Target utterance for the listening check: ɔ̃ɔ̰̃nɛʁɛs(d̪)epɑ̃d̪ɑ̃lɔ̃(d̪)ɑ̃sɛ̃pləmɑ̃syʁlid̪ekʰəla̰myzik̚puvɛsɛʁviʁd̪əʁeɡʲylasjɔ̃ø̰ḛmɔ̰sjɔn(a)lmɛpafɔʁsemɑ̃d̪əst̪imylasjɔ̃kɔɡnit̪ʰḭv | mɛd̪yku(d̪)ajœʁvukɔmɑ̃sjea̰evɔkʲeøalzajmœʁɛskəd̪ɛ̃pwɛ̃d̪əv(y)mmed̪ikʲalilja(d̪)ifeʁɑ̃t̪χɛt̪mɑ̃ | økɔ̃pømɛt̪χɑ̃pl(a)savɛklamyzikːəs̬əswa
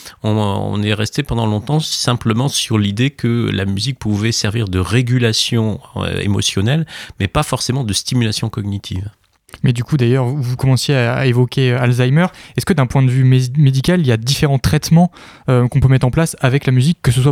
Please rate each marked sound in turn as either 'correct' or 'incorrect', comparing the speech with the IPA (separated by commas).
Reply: incorrect, incorrect, incorrect, correct, correct, correct, correct